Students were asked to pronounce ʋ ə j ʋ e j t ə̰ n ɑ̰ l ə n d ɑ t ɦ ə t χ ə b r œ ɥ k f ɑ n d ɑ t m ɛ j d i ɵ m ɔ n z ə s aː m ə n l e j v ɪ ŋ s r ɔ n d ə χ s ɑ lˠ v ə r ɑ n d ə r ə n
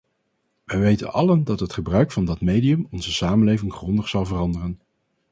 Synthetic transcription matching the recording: ʋ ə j ʋ e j t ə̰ n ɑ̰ l ə n d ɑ t ɦ ə t χ ə b r œ ɥ k f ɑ n d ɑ t m e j d i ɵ m ɔ n z ə s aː m ə n l e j v ɪ ŋ χ r ɔ n d ə χ s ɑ lˠ v ə r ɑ n d ə r ə n